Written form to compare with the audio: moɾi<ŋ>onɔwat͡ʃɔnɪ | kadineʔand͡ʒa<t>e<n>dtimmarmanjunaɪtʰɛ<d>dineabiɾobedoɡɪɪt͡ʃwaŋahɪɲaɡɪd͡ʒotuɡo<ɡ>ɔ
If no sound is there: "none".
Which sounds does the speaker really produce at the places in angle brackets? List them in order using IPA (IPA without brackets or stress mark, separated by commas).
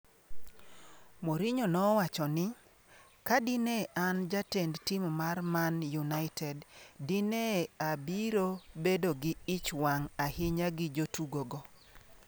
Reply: ɲ, t, n, d, ɡ